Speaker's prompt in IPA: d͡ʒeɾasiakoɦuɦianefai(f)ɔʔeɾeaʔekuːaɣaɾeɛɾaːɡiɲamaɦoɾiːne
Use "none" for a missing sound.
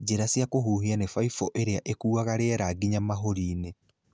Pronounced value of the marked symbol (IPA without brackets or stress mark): f